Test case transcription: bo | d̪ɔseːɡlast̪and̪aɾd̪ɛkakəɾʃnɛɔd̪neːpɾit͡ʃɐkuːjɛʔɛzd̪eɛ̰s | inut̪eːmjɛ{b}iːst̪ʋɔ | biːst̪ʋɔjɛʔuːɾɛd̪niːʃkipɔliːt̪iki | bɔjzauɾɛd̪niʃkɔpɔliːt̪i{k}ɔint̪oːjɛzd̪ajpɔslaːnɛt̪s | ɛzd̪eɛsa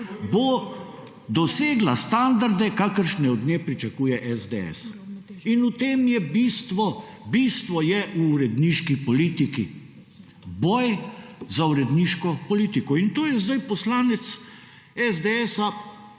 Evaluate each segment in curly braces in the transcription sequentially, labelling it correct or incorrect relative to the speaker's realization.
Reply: correct, correct

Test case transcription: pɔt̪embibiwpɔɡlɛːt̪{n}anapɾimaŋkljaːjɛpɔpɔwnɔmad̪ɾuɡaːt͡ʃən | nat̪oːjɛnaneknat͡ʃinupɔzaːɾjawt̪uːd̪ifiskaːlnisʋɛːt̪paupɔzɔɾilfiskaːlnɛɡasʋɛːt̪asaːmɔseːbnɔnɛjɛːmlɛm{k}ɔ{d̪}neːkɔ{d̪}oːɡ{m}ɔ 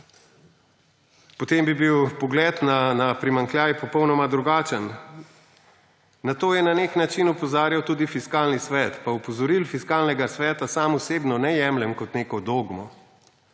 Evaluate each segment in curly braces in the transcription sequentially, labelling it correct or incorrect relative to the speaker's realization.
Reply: correct, correct, incorrect: t̪, correct, correct

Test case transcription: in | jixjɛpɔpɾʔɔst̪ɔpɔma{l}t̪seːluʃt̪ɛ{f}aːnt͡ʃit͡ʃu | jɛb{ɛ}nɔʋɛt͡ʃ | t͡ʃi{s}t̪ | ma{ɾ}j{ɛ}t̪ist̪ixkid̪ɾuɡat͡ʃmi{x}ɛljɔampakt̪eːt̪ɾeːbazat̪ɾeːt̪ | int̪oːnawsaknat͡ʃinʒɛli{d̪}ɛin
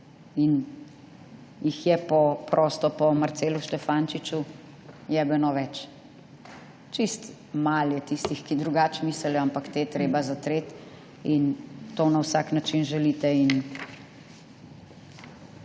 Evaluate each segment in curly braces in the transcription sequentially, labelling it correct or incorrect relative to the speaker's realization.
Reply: incorrect: ɾ, correct, correct, correct, incorrect: l, correct, incorrect: s, incorrect: t̪

